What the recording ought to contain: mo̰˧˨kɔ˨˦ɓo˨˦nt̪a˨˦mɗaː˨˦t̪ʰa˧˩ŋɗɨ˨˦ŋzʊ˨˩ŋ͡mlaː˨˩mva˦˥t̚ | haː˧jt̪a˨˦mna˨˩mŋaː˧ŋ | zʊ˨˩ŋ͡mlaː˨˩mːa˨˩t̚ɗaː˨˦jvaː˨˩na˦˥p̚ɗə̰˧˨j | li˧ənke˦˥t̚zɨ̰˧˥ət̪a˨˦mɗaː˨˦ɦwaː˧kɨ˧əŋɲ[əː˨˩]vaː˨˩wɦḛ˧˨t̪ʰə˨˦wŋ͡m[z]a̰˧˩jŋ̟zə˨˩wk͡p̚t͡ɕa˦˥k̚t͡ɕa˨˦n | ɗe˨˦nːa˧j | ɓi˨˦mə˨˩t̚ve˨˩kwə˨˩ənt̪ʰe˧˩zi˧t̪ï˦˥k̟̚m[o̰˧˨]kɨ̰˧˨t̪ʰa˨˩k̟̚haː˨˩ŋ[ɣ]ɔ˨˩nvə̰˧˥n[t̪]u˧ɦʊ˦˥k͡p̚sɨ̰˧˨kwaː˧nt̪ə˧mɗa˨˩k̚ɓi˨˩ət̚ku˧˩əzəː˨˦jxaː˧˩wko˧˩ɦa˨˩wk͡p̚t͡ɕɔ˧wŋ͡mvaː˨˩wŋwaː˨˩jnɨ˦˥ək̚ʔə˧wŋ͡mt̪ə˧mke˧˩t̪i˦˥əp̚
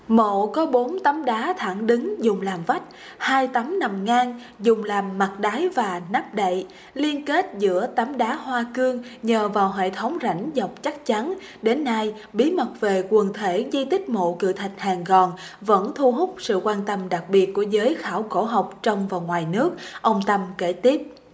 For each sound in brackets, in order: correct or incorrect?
correct, correct, correct, correct, incorrect: t̪ʰ

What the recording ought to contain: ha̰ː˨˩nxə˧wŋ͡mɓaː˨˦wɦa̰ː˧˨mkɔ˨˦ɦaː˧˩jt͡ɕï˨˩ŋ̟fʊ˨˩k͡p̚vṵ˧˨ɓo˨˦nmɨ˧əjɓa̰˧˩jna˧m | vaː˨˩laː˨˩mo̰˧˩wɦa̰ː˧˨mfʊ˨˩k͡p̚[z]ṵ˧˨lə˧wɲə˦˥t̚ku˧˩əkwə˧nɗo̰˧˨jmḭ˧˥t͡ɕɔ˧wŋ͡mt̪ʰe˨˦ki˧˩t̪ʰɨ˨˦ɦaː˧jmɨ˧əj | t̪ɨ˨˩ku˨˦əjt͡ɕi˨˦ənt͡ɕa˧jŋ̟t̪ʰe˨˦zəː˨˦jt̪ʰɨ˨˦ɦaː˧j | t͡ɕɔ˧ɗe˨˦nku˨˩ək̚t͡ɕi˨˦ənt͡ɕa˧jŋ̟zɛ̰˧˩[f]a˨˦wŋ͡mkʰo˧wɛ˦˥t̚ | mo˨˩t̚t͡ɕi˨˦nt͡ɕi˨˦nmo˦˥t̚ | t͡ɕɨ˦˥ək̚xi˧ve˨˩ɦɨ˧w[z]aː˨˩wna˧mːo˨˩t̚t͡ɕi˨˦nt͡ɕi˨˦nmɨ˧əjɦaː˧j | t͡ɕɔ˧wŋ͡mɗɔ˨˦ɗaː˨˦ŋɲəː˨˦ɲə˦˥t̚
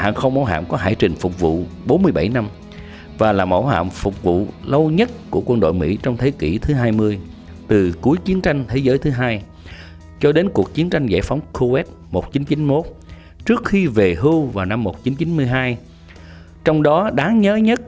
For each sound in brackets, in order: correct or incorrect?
incorrect: v, correct, incorrect: v

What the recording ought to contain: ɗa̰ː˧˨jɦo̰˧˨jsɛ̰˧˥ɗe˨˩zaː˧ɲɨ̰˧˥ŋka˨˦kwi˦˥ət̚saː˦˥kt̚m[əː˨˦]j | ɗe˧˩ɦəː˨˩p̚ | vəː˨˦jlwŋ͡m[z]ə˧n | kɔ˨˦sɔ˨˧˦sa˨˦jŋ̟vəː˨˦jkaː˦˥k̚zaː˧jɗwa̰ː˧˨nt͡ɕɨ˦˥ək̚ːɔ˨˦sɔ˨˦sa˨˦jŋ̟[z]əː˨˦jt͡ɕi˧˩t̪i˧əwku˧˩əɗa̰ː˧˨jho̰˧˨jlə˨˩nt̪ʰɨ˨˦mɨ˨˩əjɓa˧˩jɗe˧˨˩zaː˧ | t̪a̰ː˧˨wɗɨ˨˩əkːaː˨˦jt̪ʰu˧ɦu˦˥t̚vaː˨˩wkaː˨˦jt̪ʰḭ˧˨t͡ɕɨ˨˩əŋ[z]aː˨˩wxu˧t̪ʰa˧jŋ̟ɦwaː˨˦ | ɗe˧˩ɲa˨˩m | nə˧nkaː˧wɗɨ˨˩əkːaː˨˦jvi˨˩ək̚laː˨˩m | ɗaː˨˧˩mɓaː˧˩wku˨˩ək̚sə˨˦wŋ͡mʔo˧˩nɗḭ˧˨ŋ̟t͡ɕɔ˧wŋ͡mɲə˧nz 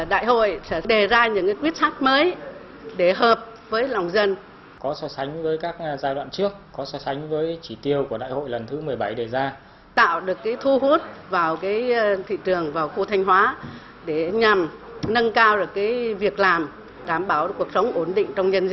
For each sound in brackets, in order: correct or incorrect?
correct, correct, incorrect: v, incorrect: v

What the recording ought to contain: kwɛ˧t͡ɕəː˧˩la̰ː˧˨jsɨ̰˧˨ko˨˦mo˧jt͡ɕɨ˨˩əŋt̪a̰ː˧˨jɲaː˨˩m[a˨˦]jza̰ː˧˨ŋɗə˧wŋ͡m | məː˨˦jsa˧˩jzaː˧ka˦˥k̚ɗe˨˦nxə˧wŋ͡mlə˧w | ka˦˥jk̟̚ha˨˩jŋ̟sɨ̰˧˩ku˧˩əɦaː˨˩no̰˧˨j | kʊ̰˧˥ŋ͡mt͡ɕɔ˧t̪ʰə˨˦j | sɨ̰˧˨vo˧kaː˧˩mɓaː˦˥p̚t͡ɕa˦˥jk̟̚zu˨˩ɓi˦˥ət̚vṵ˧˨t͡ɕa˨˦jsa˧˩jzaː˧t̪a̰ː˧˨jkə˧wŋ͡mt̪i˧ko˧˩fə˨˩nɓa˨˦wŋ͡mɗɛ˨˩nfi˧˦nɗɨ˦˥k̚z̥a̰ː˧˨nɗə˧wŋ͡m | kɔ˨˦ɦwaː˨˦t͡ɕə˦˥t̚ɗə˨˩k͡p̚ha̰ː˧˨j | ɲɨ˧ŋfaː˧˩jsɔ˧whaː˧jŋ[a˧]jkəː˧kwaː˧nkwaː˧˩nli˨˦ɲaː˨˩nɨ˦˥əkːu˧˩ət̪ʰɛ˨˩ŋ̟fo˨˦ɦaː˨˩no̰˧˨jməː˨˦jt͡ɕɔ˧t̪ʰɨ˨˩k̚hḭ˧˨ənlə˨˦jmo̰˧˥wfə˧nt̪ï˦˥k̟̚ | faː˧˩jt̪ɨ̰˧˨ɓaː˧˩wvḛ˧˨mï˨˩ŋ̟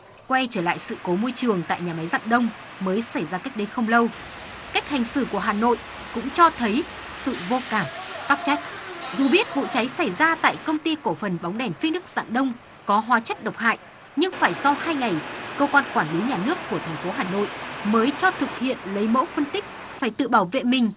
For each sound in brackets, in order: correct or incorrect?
correct, incorrect: a˨˩

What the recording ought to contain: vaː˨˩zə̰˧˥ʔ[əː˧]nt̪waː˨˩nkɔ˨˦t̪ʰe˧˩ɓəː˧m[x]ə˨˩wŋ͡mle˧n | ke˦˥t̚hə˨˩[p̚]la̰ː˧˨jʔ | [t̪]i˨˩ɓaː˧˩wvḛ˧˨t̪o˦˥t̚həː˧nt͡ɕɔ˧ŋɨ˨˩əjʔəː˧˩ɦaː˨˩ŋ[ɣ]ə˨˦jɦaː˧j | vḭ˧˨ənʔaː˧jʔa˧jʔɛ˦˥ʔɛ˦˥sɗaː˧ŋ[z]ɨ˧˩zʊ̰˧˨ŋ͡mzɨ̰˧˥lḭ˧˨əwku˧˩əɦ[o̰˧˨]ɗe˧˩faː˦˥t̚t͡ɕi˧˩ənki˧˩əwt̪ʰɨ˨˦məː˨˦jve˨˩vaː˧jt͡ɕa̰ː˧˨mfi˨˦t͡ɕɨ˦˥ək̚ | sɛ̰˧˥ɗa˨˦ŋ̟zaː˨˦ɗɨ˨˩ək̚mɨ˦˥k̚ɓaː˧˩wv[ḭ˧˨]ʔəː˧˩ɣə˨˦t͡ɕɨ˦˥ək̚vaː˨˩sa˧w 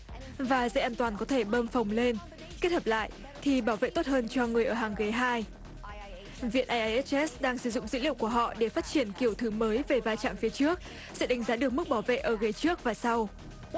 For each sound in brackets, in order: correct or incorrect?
incorrect: aː˧, incorrect: f, correct, incorrect: t̪ʰ, correct, incorrect: s, incorrect: ɔ̰˧˨, incorrect: ḛ˧˨

